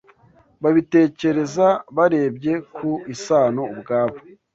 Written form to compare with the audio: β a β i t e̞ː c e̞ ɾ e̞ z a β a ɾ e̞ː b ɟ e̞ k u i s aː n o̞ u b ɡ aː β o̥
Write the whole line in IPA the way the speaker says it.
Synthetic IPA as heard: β a β i t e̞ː c e̞ ɾ e̞ z a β a ɾ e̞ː b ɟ e̞ k u i s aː n o̞ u b ɡ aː β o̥